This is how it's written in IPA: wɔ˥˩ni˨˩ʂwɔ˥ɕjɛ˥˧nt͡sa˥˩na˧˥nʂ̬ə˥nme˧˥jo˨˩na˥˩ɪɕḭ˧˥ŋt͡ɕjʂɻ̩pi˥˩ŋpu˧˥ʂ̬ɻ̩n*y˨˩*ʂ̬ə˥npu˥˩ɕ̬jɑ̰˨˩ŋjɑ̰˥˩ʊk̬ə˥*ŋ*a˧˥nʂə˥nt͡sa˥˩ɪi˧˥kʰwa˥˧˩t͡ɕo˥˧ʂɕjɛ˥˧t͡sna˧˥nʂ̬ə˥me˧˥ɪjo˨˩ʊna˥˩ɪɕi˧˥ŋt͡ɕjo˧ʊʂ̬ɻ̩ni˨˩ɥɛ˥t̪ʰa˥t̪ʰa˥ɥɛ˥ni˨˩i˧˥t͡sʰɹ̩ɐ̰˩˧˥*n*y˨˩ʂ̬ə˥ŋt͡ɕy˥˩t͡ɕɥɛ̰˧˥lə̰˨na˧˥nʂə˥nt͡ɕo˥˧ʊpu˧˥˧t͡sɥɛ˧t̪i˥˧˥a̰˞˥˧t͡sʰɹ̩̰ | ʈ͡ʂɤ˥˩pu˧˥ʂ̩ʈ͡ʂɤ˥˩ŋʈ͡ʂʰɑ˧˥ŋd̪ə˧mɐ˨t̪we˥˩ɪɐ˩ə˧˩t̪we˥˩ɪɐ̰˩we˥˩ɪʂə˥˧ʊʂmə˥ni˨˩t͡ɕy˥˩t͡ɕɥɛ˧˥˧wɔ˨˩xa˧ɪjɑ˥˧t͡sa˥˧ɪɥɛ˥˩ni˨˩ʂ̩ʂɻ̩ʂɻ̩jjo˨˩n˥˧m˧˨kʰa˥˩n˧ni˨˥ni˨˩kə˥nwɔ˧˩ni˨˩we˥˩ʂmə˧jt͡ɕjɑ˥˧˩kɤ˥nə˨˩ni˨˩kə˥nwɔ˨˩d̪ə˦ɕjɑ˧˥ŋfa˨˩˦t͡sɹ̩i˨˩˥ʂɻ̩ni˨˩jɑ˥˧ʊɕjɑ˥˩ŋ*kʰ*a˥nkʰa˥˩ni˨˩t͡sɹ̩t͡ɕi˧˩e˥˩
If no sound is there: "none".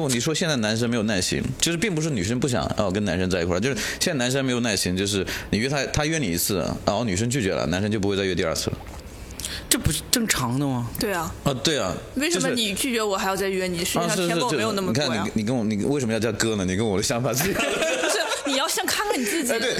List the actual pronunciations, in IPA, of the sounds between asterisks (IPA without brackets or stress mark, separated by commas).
y˨˩, n, n, kʰ